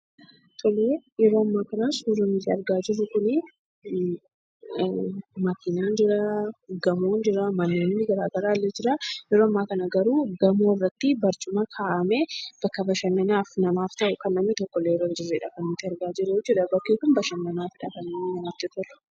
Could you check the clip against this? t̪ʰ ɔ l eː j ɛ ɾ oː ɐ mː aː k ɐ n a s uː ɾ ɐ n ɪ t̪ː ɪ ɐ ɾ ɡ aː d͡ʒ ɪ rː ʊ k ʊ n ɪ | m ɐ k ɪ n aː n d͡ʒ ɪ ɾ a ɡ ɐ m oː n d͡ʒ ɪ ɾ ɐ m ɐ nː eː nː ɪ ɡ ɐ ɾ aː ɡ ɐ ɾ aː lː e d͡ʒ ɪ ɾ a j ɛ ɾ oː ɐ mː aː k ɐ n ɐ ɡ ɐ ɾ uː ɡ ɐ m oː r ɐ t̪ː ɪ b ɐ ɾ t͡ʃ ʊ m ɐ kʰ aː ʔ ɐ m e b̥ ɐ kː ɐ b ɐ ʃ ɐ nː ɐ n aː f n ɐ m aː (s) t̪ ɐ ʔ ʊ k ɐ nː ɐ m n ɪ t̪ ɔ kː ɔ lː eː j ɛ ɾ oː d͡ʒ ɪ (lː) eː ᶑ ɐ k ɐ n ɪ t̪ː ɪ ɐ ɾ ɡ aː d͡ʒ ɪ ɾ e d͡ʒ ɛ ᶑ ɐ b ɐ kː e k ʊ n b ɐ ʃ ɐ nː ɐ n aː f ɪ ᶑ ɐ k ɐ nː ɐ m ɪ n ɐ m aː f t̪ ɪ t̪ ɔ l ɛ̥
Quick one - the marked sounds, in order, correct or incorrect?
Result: incorrect, incorrect

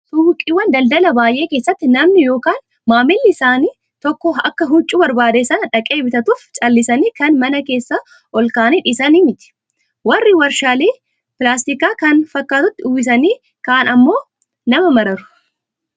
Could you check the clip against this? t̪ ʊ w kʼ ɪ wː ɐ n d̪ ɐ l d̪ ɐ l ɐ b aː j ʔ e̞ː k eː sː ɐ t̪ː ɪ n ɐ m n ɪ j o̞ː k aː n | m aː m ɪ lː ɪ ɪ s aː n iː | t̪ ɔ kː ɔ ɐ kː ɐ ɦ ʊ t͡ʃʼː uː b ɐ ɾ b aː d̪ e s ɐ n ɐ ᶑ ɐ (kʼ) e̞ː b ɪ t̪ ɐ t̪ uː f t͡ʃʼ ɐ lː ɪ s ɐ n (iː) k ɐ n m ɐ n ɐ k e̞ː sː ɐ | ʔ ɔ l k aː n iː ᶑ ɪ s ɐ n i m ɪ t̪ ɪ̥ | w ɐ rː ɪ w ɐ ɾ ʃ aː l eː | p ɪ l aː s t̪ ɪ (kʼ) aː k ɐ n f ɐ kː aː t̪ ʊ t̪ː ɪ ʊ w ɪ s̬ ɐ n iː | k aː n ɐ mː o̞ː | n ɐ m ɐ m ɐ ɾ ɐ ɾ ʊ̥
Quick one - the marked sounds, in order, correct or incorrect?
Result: correct, correct, incorrect

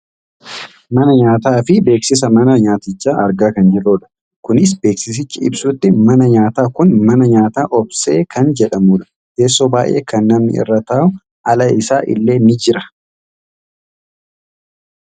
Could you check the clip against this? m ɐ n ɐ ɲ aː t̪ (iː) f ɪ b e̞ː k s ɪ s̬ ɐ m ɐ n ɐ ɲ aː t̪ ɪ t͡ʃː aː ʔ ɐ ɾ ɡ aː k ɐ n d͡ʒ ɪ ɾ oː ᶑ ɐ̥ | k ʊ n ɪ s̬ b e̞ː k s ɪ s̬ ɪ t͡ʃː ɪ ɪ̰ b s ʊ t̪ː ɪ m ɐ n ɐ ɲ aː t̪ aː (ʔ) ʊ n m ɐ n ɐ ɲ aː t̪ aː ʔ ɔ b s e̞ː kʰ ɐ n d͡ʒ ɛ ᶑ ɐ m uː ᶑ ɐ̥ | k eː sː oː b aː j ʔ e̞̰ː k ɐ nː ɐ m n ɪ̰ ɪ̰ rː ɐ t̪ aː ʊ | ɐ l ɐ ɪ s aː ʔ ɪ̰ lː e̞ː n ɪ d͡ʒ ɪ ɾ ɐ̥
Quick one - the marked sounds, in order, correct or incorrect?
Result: incorrect, incorrect

